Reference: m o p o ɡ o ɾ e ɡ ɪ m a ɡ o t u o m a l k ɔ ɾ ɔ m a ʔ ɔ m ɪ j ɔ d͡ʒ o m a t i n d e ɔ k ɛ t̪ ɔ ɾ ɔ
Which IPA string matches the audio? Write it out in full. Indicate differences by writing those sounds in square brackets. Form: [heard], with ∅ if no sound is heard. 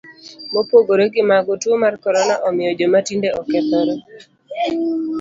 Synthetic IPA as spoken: m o p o ɡ o ɾ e ɡ ɪ m a ɡ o t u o m a [r] k ɔ ɾ ɔ [n] a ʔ ɔ m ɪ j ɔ d͡ʒ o m a t i n d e ɔ k ɛ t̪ ɔ ɾ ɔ